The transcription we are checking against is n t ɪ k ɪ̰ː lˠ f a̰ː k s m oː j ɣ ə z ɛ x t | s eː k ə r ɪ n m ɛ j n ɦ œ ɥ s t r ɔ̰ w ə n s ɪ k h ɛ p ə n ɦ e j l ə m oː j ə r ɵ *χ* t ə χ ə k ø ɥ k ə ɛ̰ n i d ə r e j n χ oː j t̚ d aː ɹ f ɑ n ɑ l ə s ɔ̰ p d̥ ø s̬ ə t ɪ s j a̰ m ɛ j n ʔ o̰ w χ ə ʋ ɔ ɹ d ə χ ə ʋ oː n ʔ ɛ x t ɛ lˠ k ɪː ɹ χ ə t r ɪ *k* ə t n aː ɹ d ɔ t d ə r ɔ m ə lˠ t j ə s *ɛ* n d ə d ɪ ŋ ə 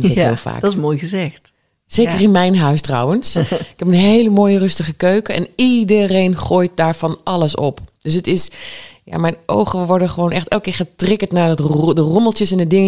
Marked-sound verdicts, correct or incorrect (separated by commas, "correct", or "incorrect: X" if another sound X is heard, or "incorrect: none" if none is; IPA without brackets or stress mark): incorrect: s, correct, correct